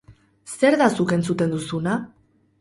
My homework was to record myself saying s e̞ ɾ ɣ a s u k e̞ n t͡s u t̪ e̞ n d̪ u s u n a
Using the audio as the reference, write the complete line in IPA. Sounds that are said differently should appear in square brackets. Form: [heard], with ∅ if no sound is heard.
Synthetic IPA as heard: s e̞ ɾ [ð] a s u k e̞ n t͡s u t̪ e̞ n d̪ u s u n a